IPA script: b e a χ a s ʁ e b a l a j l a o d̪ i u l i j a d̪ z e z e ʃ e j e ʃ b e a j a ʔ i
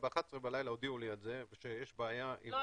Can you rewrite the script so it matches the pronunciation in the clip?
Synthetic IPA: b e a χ a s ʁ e b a l a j l a o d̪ i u l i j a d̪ z e v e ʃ e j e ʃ b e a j a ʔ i

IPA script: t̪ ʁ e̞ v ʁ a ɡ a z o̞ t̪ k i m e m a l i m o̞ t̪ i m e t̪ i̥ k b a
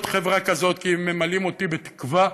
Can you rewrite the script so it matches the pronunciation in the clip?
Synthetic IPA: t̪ χ e̞ v ʁ a k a z o̞ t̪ k i m e m a l i m o̞ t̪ i b e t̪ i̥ k v a

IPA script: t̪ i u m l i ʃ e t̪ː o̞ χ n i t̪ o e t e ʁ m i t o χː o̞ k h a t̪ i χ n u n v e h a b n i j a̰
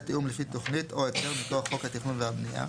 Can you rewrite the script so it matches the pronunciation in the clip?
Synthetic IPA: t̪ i u m l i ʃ i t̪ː o̞ χ n i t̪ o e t e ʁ m i t o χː o̞ k h a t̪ i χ n u n v e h a b n i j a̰

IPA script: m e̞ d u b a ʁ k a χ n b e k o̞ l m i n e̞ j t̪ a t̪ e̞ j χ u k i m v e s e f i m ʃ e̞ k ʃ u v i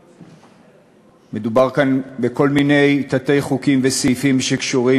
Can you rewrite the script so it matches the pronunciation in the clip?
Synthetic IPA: m e̞ d u b a ʁ k a n b e k o̞ l m i n e̞ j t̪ a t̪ e̞ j χ u k i m v e s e f i m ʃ e̞ k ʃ u ʁ i

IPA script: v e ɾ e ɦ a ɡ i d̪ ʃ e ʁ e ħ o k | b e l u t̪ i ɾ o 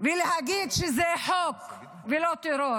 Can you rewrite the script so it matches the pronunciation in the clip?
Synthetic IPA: v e l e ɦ a ɡ i d̪ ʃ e z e ħ o k | v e l o t̪ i ɾ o

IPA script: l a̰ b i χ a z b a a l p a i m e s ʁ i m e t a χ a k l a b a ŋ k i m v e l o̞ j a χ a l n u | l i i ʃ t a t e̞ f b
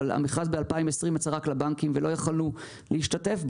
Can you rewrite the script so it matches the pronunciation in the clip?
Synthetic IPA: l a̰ m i χ a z b e a l p a i m e s ʁ i m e t͡s a ʁ a k l a b a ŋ k i m v e l o̞ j a χ a l n u | l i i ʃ t a t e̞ f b

